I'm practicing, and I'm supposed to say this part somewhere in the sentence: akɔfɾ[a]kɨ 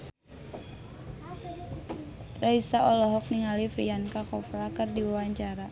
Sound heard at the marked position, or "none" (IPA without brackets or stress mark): a